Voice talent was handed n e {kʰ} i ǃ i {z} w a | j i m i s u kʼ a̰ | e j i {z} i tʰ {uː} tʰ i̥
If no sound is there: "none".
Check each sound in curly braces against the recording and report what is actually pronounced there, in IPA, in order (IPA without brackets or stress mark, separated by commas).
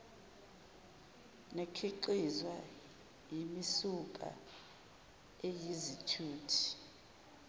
kʰ, z, z, uː